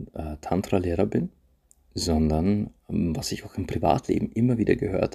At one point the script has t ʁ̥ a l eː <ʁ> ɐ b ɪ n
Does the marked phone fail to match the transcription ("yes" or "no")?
no